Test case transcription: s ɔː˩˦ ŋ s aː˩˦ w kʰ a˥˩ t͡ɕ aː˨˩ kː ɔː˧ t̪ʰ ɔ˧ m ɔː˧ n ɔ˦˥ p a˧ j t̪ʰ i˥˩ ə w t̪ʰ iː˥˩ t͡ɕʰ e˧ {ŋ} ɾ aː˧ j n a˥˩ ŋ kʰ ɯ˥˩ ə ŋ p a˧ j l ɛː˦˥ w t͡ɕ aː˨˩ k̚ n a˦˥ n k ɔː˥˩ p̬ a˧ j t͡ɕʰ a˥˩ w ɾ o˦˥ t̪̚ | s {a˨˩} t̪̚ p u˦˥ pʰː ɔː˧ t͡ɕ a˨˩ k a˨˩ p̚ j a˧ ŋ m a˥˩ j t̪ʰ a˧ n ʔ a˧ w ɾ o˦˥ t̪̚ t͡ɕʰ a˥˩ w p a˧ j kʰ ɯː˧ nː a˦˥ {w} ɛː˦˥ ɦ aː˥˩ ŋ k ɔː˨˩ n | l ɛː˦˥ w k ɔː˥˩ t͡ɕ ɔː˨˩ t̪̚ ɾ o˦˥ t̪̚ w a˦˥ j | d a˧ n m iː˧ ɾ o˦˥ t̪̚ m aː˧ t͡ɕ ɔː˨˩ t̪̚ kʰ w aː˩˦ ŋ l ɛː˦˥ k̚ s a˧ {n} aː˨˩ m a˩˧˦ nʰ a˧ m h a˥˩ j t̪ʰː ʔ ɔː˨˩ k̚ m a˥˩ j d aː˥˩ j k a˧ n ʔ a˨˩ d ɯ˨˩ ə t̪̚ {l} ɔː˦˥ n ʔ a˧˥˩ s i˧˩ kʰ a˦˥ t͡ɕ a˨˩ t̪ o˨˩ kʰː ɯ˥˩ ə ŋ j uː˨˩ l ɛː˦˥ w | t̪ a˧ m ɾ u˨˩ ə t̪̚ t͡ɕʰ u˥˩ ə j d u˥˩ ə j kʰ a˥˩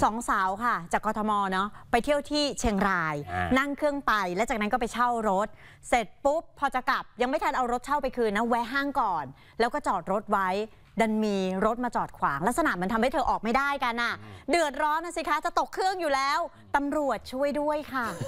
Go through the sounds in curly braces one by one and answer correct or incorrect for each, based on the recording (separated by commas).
correct, incorrect, correct, correct, incorrect